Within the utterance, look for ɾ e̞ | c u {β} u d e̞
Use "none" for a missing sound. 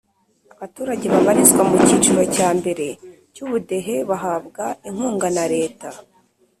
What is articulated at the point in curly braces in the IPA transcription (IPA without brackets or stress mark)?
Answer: β